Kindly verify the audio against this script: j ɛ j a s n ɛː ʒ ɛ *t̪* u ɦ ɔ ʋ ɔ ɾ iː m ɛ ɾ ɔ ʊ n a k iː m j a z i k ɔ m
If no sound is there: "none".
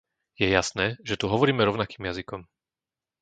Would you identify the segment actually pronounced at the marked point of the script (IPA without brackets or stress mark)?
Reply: t̪